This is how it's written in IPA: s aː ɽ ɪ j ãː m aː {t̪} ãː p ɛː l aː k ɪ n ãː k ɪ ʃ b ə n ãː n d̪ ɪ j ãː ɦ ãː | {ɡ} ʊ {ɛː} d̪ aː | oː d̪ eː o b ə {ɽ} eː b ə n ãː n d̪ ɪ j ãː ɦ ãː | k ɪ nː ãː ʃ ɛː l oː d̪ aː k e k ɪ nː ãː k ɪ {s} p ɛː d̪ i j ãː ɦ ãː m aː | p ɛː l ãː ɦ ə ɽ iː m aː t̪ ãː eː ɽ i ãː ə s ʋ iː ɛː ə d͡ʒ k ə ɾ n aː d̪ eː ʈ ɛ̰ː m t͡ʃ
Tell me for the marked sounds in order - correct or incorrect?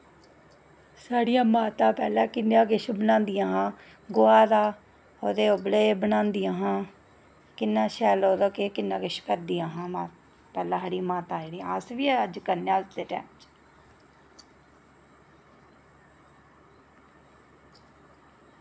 correct, correct, incorrect, incorrect, incorrect

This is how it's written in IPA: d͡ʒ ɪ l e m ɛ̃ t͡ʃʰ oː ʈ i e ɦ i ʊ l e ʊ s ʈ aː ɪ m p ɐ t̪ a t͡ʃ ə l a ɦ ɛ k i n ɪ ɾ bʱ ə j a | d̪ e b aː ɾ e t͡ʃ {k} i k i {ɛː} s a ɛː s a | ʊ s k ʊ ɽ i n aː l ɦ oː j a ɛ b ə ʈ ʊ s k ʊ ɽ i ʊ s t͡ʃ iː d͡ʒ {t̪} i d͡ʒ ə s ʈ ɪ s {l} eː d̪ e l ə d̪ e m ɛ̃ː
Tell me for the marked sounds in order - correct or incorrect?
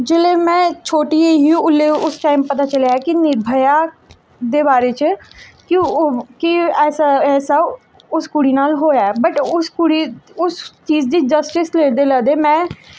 correct, correct, incorrect, correct

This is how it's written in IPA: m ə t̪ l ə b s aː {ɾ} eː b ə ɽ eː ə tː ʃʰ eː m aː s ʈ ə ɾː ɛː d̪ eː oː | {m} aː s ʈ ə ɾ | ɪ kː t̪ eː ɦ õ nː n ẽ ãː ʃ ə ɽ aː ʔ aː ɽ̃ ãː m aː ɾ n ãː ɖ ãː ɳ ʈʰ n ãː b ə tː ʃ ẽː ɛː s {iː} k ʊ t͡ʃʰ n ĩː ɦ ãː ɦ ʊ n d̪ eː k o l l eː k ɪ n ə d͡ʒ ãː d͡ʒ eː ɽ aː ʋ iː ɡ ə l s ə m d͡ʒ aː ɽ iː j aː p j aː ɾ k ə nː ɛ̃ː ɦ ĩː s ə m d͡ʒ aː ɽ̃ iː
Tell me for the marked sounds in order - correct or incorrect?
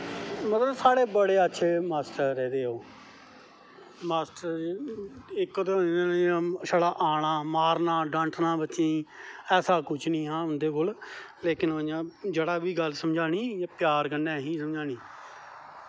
incorrect, correct, incorrect

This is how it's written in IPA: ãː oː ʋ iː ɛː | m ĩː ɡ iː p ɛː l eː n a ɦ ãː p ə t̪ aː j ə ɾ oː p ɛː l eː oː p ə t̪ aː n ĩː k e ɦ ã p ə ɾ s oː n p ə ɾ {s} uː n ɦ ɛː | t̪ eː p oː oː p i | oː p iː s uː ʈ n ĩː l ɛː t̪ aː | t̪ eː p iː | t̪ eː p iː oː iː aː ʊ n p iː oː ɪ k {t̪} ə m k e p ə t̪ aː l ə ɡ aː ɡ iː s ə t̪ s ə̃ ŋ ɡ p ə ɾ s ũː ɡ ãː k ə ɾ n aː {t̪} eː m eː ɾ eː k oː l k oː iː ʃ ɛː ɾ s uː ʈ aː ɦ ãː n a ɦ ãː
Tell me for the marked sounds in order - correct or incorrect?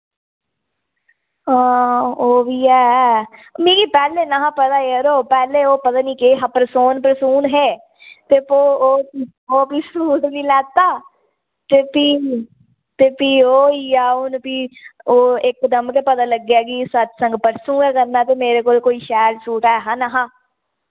correct, incorrect, correct

